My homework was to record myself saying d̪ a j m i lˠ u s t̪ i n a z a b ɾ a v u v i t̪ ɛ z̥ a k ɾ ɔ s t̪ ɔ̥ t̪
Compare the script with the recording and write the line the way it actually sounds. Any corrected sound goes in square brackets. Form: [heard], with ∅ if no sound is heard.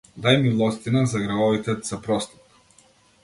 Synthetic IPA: d̪ a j m i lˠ [ɔ] s t̪ i n a z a [ɡ] ɾ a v [ɔ] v i t̪ ɛ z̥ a [p] ɾ ɔ s t̪ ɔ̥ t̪